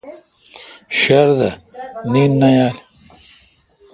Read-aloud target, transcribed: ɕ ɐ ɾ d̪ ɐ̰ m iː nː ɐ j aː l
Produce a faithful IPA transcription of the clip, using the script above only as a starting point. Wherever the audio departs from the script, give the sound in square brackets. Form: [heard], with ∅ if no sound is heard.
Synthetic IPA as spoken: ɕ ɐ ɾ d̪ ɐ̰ [n] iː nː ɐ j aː l